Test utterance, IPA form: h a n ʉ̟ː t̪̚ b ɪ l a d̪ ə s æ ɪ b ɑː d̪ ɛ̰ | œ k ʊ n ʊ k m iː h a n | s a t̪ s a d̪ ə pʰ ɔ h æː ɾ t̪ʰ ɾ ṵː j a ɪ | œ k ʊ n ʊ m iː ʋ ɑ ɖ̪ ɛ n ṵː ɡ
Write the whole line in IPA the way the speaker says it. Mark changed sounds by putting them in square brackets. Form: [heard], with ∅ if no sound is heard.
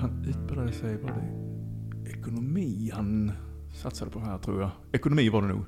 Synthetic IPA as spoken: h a n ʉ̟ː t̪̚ b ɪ l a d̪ ə s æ ɪ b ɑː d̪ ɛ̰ | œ k ʊ n ʊ [∅] m iː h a n | s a t̪ s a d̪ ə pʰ ɔ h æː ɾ t̪ʰ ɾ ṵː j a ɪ | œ k ʊ n ʊ m iː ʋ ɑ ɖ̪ ɛ n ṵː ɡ